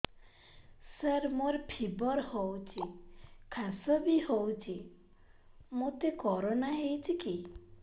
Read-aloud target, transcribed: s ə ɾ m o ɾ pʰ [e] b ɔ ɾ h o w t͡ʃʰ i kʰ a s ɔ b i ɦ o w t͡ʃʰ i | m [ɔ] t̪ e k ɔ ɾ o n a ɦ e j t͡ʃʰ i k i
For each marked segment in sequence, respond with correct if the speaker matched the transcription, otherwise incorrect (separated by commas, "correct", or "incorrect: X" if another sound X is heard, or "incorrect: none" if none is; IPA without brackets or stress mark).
incorrect: i, incorrect: o